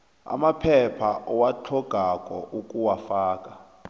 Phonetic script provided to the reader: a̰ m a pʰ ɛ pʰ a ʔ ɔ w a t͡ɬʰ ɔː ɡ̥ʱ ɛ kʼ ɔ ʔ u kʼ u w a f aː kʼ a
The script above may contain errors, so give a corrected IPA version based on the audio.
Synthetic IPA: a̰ m a pʰ ɛ pʰ a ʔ ɔ w a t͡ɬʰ ɔ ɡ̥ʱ a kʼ ɔ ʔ u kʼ u w a f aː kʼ a